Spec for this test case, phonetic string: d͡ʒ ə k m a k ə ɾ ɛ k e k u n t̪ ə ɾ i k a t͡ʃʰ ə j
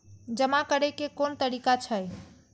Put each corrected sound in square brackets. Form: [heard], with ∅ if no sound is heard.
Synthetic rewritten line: d͡ʒ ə [∅] m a k ə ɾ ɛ k e k [o] n t̪ ə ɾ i k a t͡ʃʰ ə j